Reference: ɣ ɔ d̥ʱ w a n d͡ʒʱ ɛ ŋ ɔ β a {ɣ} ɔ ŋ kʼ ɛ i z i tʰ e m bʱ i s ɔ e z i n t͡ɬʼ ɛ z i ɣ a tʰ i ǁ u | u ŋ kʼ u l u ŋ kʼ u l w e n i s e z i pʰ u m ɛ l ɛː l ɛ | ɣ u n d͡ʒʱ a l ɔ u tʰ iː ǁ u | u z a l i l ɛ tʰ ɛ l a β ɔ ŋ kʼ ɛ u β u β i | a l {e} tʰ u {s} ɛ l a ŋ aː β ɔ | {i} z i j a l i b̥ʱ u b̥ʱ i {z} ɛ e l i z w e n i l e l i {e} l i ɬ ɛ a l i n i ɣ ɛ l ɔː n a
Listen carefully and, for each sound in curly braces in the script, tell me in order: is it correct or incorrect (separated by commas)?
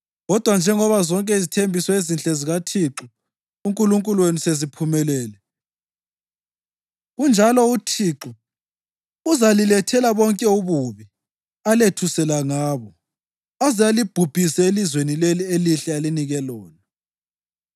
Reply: incorrect, correct, correct, incorrect, incorrect, correct